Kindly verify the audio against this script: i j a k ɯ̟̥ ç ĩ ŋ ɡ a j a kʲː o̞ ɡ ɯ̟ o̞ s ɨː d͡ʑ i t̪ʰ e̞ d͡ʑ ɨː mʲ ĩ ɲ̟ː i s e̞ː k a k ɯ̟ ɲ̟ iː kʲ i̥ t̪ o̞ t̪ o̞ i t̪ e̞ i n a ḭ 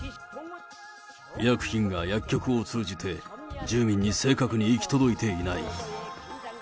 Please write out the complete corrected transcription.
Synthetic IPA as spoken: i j a k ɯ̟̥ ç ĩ ŋ ɡ a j a kʲː o̞ k ɯ̟ o̞ t͡s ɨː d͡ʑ i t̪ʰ e̞ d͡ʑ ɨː mʲ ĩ ɲ̟ː i s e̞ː k a k ɯ̟ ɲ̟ iː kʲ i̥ t̪ o̞ d̪ o̞ i t̪ e̞ i n a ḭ